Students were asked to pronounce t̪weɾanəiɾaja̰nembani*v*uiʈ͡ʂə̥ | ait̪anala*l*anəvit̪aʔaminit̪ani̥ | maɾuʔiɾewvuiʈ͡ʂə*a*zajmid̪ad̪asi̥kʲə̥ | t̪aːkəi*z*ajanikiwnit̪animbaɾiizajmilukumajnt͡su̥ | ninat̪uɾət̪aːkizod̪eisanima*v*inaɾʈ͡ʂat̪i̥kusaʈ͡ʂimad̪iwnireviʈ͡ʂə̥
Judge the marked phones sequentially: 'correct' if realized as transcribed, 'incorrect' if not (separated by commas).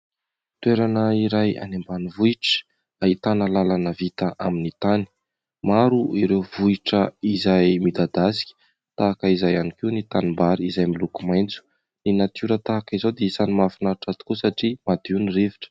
correct, correct, incorrect, correct, incorrect